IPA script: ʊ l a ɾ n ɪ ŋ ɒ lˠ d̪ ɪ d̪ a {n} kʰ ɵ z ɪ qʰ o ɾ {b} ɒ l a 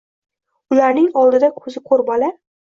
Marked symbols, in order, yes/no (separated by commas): no, yes